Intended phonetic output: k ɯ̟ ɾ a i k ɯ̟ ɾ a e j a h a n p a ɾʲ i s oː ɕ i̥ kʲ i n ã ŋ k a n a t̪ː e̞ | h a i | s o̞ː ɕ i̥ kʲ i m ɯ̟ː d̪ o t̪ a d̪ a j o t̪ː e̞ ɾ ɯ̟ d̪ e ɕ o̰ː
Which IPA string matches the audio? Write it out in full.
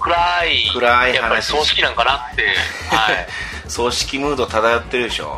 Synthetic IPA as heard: k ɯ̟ ɾ a i k ɯ̟ ɾ a i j a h a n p a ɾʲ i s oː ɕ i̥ kʲ i n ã ŋ k a n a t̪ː e̞ | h a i | s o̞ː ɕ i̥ kʲ i m ɯ̟ː d̪ o t̪ a d̪ a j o t̪ː e̞ ɾ ɯ̟ d̪ e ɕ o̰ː